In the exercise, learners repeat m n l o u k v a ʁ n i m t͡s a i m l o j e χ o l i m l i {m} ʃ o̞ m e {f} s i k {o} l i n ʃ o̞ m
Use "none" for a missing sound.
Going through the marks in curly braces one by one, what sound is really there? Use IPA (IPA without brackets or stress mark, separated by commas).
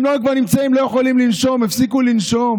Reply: n, f, u